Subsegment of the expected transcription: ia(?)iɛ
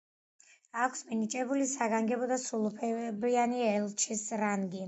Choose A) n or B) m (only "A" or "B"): A